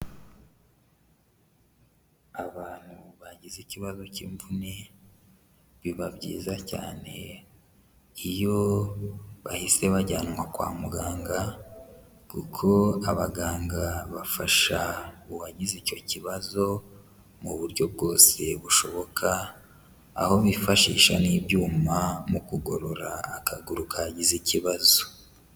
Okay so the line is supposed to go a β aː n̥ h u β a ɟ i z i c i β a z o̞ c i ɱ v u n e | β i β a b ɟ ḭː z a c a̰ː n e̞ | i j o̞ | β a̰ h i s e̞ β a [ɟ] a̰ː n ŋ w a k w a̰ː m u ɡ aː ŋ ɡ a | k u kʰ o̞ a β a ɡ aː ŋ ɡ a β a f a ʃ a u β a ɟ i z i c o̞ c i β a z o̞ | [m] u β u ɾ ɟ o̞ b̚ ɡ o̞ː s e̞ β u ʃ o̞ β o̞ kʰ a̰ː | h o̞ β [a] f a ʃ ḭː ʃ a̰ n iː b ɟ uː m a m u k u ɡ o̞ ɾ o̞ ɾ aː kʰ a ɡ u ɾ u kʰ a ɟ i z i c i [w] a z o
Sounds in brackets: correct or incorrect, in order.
correct, correct, incorrect: i, incorrect: β

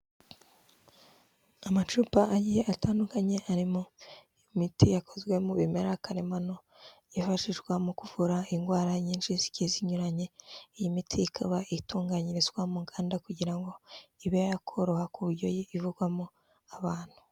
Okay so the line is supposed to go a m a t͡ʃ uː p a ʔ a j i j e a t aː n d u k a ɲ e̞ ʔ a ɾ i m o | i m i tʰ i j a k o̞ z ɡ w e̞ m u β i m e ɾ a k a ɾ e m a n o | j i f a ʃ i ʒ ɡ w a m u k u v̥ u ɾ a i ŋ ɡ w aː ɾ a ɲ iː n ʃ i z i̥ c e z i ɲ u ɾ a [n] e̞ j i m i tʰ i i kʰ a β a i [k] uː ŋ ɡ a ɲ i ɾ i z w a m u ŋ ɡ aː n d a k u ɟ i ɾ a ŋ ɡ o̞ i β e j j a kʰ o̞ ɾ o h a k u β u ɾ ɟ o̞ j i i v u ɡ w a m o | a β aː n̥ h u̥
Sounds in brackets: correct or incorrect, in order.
incorrect: ɲ, incorrect: t

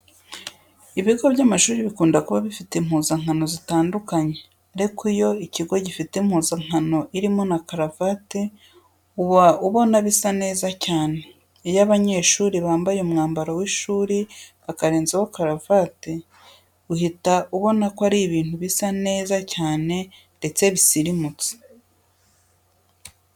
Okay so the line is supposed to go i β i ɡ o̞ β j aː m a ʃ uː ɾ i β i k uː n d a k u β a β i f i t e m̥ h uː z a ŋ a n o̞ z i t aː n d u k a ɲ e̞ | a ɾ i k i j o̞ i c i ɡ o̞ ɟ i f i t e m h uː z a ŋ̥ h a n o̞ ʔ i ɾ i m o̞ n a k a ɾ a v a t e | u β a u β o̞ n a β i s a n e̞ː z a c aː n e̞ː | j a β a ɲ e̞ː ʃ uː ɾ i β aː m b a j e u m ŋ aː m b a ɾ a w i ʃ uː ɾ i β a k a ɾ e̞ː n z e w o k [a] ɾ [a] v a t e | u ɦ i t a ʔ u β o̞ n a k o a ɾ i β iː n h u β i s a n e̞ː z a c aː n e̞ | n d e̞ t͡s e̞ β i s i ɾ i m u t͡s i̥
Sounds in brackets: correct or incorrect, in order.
correct, correct

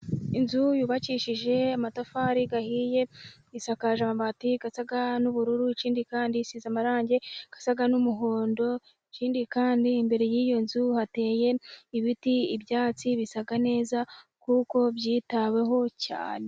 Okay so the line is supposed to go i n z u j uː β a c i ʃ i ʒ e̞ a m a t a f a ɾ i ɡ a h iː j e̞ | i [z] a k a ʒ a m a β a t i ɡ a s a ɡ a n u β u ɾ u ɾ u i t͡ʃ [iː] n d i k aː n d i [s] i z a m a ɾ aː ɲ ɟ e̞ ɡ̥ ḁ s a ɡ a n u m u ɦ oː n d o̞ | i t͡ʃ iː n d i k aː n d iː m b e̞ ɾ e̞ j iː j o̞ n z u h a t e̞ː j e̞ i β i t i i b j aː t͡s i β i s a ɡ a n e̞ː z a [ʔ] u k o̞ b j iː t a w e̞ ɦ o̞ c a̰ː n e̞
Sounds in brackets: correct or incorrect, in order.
incorrect: s, correct, correct, incorrect: k

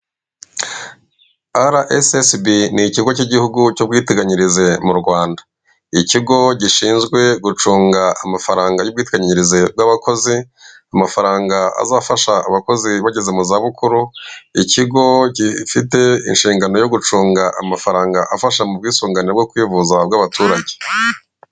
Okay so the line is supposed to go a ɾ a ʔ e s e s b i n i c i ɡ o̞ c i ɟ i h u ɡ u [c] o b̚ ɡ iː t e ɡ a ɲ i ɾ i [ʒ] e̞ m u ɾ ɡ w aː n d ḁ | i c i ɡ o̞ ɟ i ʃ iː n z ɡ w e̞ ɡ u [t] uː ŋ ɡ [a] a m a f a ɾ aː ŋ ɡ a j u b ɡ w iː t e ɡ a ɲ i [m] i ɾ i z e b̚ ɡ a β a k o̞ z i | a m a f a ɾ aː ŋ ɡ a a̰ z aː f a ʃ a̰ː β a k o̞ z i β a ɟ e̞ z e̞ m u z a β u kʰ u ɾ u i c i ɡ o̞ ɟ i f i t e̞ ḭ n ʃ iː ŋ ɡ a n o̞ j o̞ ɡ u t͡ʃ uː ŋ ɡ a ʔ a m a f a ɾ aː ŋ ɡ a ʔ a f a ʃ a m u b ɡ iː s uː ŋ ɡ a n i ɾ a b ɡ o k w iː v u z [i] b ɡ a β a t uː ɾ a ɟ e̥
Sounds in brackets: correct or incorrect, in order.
correct, incorrect: z, incorrect: t͡ʃ, correct, incorrect: ɲ, incorrect: a

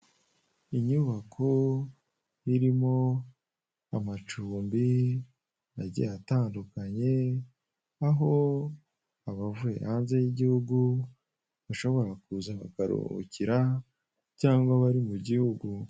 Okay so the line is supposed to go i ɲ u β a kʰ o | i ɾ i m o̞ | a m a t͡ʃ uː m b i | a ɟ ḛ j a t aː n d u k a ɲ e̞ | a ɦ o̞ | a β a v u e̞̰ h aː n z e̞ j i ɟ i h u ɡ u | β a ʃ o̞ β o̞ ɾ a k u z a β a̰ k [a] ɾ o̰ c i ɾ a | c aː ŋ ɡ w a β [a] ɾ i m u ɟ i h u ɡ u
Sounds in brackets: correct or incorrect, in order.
correct, correct

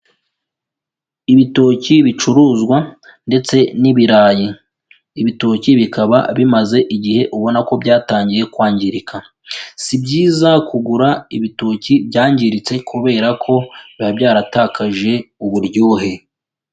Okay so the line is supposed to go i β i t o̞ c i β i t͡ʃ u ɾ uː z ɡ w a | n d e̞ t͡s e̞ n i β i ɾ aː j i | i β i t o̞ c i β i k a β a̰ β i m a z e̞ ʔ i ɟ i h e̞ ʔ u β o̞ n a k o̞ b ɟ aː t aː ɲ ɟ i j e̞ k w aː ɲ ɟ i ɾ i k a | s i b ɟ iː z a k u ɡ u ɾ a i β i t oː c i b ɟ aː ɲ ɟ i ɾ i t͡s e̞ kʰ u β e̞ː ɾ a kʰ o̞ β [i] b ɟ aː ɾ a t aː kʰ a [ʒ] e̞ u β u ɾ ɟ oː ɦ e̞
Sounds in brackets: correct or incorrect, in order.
incorrect: a, correct

